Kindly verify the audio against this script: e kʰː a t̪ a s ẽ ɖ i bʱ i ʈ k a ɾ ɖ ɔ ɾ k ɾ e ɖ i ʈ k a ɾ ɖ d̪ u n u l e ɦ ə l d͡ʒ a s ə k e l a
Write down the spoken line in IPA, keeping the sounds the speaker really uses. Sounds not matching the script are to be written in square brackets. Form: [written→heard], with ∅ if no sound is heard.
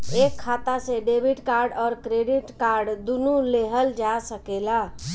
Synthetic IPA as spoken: e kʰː a t̪ a s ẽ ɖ [i→e] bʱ i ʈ k a ɾ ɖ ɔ ɾ k ɾ e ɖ i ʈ k a ɾ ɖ d̪ u n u l e ɦ ə l d͡ʒ a s ə k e l a

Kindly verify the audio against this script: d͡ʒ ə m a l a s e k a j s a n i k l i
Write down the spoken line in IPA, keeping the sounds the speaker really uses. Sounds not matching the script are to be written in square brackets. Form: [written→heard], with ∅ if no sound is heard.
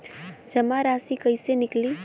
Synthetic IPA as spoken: d͡ʒ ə m a [l→ɾ] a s [e→i] k [a→ə] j s [a→e] n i k l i

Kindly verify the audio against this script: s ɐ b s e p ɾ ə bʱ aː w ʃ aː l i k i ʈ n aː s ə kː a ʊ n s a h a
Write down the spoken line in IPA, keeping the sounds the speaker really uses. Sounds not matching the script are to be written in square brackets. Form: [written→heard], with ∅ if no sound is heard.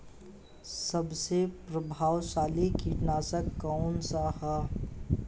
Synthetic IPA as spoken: s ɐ b s e p ɾ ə bʱ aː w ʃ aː l i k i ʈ n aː s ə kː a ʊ n s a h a

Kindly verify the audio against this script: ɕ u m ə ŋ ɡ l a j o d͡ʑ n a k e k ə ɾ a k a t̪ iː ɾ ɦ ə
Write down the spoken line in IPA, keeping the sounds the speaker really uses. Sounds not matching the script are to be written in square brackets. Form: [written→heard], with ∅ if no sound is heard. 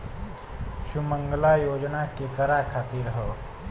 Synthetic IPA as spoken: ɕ u m ə ŋ ɡ l a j o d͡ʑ n a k e k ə ɾ a [k→kʰ] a t̪ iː ɾ ɦ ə

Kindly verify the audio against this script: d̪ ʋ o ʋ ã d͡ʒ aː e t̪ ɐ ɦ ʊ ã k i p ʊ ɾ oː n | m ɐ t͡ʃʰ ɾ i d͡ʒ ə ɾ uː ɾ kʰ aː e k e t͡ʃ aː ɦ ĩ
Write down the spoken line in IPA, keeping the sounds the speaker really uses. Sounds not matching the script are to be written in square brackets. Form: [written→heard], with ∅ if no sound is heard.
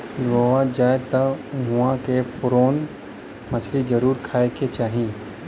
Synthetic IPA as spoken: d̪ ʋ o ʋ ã d͡ʒ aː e t̪ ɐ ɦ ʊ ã k [i→e] p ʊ ɾ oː n | m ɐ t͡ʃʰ [ɾ→l] i d͡ʒ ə ɾ uː ɾ kʰ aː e k e t͡ʃ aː ɦ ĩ

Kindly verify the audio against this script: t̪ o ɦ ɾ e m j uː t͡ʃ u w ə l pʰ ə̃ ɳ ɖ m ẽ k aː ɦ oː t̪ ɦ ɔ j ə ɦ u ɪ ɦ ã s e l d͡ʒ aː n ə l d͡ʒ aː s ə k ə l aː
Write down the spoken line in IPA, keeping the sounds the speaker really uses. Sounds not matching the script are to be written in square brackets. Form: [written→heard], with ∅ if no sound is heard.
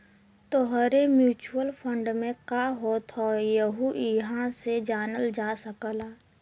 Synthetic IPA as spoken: t̪ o ɦ ɾ e m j uː t͡ʃ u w ə l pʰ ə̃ ɳ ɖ m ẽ k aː ɦ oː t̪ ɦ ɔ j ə ɦ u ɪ ɦ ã s e [l→∅] d͡ʒ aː n ə l d͡ʒ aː s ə k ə l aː

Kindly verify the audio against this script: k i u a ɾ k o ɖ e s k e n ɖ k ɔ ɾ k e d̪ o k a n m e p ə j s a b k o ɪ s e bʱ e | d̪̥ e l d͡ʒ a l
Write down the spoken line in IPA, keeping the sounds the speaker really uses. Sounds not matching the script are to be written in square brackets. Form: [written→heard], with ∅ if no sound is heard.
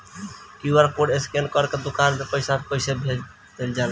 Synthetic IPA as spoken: k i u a ɾ k o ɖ e s k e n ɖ k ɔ ɾ k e d̪ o k a n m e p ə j s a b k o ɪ s e bʱ e | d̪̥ e l d͡ʒ a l

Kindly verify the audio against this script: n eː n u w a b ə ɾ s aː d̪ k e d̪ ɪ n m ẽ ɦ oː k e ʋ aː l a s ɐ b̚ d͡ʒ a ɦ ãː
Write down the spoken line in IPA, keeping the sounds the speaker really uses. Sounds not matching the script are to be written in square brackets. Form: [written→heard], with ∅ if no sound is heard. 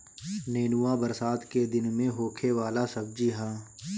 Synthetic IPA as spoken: n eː n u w a b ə ɾ s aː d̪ k e d̪ ɪ n m ẽ ɦ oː [k→kʰ] e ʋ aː l a s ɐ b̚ d͡ʒ [a→i] ɦ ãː

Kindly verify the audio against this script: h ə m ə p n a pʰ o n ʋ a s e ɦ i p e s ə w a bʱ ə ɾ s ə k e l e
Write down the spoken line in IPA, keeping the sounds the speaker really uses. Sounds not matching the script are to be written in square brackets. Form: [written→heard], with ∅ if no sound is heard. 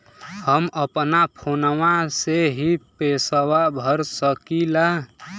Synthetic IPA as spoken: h ə m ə p n a pʰ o n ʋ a s e ɦ i p e s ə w a bʱ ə ɾ s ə k [e→i] l [e→a]

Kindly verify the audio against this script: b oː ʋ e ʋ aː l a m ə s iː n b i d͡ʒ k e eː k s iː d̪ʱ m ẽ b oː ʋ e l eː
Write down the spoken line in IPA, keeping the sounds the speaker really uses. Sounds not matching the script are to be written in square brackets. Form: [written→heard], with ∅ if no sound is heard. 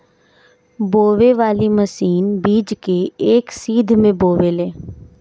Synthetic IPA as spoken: b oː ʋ e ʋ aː l [a→i] m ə s iː n b [i→iː] d͡ʒ k e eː k s iː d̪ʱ m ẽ b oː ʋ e l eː

